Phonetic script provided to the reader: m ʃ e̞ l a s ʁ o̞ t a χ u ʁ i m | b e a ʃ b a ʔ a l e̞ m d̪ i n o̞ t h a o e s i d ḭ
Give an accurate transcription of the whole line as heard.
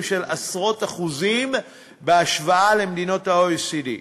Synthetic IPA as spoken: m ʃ e̞ l a s ʁ o̞ t a χ u z i m | b e a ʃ v a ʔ a l e̞ m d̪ i n o̞ t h a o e s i d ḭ